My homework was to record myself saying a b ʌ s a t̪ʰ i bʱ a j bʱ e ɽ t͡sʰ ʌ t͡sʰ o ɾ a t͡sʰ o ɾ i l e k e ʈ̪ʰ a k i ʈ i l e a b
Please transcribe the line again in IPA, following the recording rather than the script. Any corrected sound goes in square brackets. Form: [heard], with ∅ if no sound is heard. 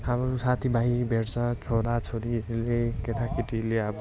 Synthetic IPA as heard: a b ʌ s a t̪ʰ i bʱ a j bʱ e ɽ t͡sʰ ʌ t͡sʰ o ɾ a t͡sʰ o ɾ i l e k e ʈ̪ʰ a k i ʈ i l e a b